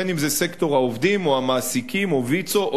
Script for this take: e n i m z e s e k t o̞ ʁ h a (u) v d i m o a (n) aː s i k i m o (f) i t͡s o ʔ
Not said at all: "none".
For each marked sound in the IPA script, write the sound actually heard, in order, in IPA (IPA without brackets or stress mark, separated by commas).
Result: o, m, v